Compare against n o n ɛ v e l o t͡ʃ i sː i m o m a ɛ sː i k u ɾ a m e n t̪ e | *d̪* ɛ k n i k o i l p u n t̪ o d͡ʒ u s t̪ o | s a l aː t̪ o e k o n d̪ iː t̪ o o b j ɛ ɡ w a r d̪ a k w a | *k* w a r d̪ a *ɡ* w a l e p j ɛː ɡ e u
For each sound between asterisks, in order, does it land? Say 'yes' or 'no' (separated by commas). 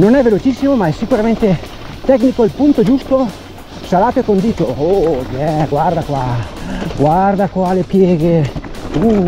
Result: no, no, no